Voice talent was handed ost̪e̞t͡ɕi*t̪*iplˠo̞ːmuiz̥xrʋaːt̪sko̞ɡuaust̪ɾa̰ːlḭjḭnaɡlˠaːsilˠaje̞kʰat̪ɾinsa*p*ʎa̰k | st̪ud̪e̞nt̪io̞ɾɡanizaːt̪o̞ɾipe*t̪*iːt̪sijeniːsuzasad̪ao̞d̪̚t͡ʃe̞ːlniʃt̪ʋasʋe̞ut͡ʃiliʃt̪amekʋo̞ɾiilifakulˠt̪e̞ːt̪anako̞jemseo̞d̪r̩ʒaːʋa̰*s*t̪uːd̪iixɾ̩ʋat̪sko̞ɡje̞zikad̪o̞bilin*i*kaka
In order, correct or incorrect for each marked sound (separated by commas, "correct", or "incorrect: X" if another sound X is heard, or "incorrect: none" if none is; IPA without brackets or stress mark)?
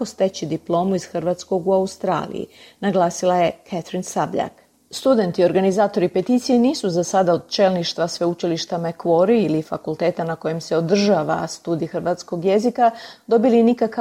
incorrect: d̪, incorrect: b, correct, correct, correct